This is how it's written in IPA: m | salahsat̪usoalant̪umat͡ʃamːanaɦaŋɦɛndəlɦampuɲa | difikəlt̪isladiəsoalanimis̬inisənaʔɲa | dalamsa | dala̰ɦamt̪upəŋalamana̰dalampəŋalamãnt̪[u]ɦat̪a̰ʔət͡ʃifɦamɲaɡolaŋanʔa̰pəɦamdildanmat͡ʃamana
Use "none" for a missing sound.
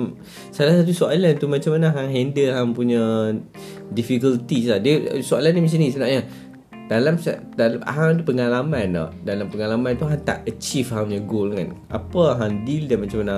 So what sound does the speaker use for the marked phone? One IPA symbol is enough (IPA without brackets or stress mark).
u